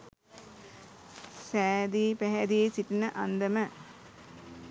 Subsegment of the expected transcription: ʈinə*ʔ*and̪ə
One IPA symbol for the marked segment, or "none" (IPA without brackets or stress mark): ʔ